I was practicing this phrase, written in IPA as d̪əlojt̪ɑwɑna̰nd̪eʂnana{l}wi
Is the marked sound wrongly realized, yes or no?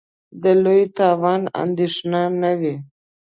yes